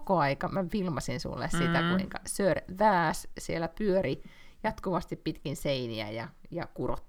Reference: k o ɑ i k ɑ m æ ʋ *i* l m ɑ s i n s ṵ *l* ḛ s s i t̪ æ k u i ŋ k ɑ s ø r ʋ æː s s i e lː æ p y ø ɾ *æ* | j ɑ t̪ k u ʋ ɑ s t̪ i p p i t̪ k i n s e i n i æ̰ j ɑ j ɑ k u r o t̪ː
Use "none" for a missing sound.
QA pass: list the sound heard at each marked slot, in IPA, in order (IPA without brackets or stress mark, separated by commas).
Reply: i, lː, i